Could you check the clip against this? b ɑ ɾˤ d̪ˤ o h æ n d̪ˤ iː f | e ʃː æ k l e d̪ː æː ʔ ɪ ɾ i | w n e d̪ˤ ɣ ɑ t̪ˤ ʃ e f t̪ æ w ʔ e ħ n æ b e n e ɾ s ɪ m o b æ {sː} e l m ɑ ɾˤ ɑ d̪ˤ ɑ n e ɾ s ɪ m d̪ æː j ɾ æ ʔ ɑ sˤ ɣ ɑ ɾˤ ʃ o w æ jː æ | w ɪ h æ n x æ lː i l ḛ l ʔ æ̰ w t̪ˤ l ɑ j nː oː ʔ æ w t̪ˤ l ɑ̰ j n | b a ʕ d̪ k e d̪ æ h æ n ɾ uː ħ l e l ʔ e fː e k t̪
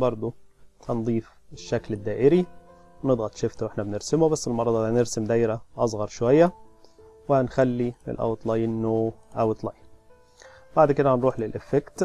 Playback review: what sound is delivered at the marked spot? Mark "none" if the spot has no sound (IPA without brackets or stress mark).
sː